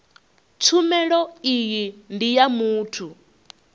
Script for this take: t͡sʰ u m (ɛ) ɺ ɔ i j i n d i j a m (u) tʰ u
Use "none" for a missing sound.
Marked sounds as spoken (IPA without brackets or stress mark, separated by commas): ɛ, uː